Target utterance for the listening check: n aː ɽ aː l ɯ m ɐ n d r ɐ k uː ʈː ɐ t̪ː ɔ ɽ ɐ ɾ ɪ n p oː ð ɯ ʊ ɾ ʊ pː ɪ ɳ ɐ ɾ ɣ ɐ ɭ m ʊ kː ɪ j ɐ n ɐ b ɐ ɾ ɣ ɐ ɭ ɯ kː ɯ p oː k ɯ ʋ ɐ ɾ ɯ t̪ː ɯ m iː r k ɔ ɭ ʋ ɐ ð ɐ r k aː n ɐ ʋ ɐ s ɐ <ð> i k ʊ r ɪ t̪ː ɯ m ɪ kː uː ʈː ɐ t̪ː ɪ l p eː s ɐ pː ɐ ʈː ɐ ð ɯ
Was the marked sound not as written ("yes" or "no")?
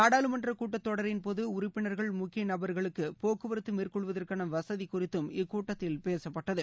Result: no